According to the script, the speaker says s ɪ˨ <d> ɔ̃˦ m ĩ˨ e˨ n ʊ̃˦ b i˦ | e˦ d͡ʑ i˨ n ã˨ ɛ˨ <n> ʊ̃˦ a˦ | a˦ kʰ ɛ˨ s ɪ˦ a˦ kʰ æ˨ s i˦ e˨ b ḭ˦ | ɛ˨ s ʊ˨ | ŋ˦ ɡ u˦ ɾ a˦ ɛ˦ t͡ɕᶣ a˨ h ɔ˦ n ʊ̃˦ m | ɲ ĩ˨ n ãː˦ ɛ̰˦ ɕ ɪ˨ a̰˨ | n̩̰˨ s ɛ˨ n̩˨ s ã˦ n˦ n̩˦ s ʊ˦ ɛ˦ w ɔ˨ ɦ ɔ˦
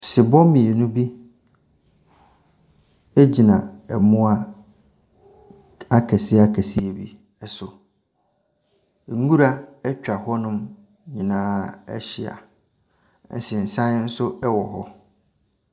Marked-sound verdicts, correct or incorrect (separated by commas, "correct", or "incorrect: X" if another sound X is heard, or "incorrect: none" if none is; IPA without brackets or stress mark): incorrect: b, incorrect: m